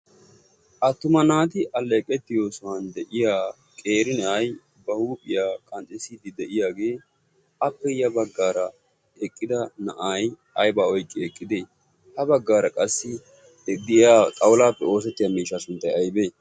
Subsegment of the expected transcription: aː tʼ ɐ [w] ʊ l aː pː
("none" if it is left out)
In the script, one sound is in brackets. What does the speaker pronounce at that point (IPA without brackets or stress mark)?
w